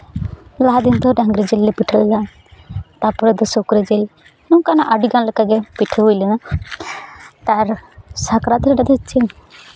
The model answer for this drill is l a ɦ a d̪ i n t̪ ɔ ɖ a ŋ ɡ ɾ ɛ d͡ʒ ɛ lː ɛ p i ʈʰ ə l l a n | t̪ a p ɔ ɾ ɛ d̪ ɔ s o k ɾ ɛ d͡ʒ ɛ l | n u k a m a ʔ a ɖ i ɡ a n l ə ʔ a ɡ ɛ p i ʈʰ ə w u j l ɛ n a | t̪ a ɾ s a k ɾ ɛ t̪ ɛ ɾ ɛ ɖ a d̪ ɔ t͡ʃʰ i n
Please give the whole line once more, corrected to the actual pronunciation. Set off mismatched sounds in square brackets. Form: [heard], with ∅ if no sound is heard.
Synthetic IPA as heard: l a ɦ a d̪ i n t̪ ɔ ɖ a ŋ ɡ ɾ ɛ d͡ʒ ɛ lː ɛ p i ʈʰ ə l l a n | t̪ a p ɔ ɾ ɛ d̪ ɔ s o k ɾ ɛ d͡ʒ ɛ l | n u k a [n] a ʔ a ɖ i ɡ a n l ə [k] a ɡ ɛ p i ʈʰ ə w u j l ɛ n a | t̪ a ɾ s a k ɾ [a] t̪ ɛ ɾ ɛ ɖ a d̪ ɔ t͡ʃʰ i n